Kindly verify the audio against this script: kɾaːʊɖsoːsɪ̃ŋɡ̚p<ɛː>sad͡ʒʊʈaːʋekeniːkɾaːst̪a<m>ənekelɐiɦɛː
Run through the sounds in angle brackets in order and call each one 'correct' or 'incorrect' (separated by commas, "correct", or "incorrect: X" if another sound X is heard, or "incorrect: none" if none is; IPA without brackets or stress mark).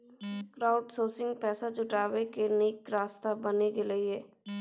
correct, incorrect: b